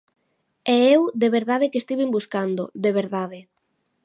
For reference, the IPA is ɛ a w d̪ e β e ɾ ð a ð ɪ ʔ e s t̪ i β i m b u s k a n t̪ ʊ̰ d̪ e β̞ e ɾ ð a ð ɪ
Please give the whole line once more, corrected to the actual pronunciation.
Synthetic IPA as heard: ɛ e w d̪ e β e ɾ ð a ð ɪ k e s t̪ i β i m b u s k a n d̪ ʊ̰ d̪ e β̞ e ɾ ð a ð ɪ